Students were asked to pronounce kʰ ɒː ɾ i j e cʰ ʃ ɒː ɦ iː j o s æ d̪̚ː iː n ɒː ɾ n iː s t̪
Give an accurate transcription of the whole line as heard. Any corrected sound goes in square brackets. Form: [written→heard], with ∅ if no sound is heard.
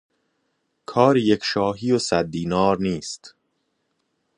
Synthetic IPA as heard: kʰ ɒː ɾ i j e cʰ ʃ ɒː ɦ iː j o s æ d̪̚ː iː n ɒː ɾ n iː s t̪